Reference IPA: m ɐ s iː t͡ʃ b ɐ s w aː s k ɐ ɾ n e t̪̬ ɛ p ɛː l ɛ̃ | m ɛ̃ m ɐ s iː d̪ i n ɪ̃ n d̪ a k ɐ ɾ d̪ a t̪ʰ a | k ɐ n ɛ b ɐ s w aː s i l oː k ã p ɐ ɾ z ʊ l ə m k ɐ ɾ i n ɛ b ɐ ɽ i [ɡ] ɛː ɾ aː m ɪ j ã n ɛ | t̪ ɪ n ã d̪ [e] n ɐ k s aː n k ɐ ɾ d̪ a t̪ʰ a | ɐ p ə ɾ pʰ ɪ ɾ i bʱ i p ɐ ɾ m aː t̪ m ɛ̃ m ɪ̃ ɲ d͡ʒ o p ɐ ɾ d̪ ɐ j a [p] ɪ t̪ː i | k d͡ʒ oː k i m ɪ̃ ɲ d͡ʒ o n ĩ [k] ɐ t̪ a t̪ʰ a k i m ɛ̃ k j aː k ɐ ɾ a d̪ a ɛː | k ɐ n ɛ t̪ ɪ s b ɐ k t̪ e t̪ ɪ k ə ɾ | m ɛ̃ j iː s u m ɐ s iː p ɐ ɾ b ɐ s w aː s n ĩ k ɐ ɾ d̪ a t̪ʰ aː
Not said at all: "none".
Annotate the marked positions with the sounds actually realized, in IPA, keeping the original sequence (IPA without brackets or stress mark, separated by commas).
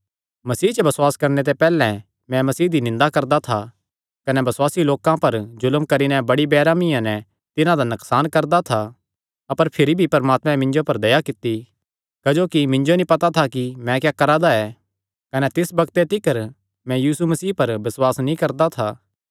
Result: b, a, k, p